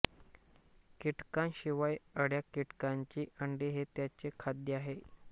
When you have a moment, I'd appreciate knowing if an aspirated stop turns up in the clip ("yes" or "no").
yes